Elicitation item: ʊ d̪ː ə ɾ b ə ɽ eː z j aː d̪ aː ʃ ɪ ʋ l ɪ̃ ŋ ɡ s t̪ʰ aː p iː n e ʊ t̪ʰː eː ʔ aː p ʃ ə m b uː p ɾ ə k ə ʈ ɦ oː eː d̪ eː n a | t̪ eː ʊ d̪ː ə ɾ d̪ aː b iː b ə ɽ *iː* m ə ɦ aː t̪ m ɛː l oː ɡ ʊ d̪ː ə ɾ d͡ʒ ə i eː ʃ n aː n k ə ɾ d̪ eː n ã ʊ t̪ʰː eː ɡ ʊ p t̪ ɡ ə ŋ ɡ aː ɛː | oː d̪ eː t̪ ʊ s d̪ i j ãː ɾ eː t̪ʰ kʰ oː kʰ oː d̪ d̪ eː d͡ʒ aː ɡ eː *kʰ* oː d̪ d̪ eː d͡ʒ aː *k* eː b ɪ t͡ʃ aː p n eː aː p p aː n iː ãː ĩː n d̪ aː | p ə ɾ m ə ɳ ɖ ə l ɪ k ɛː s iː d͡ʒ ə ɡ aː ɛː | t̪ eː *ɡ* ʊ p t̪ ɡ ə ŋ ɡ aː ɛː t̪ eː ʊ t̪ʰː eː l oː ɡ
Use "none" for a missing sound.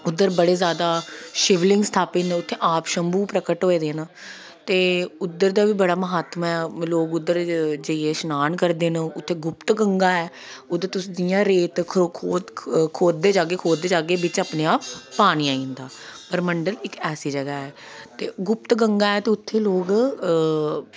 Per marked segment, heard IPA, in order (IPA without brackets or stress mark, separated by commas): aː, kʰ, ɡ, ɡ